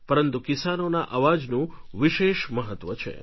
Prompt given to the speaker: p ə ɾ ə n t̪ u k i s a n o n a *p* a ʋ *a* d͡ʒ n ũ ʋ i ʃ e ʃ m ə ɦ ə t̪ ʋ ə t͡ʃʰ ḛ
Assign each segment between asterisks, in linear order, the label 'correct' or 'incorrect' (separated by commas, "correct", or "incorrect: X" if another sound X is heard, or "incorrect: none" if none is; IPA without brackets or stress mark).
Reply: incorrect: ʔ, correct